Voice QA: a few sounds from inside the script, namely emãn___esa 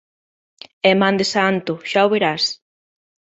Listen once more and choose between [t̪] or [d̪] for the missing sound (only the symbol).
d̪